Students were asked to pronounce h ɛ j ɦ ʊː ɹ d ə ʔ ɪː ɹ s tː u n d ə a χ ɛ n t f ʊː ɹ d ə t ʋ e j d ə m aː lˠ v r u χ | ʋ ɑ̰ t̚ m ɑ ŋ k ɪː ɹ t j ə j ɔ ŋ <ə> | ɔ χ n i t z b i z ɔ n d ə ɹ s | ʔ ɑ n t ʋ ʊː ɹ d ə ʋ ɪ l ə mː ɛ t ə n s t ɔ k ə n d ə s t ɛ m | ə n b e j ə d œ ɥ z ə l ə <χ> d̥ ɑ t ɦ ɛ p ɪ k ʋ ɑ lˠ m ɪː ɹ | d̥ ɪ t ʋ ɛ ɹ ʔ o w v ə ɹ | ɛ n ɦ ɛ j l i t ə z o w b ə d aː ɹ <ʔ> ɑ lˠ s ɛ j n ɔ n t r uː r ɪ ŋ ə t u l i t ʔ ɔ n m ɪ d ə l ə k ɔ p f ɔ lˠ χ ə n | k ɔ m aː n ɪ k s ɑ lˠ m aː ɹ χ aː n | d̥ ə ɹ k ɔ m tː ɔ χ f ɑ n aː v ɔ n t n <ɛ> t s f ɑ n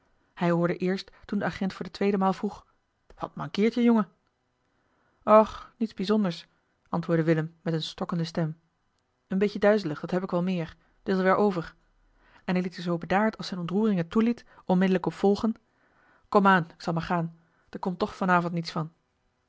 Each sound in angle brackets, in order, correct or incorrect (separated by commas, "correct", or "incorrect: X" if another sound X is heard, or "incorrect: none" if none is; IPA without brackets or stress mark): correct, correct, incorrect: t, incorrect: i